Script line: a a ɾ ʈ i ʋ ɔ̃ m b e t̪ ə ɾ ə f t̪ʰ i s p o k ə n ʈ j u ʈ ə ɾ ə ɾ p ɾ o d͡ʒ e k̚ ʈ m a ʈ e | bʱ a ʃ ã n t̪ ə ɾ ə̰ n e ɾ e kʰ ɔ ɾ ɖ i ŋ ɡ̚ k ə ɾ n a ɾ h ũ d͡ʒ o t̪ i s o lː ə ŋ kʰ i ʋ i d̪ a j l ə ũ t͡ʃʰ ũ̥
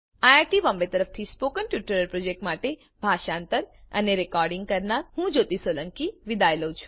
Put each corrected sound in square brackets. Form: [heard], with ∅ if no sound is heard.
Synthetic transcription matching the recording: a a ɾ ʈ i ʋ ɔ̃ m b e t̪ ə ɾ ə f t̪ʰ i s p o k ə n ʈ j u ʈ ə ɾ ə ɾ p ɾ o d͡ʒ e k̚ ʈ m a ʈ e | bʱ a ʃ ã n t̪ ə ɾ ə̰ n e ɾ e [k] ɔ ɾ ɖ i ŋ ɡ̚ k ə ɾ n a ɾ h ũ d͡ʒ o t̪ i s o [l] ə ŋ [k] i ʋ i d̪ a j l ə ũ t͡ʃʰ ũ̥